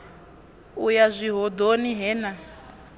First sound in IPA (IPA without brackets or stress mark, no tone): u